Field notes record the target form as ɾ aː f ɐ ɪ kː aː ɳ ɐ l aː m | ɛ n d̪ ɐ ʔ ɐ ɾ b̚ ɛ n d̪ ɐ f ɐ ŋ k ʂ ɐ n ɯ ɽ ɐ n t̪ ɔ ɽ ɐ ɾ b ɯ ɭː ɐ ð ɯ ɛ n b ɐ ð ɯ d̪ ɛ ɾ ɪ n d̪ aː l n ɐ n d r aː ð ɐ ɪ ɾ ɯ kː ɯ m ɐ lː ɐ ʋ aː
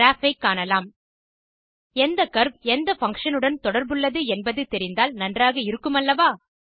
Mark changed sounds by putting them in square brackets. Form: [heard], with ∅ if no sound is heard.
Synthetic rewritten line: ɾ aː f ɐ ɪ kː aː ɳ ɐ l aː m | ɛ n d̪ ɐ [k] ɐ ɾ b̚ ɛ n d̪ ɐ f ɐ ŋ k ʂ ɐ n ɯ ɽ ɐ n t̪ ɔ ɽ ɐ ɾ b ɯ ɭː ɐ ð ɯ ɛ n b ɐ ð ɯ [t̪] ɛ ɾ ɪ n d̪ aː l n ɐ n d r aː [ɣ] ɐ ɪ ɾ ɯ kː ɯ m ɐ lː ɐ ʋ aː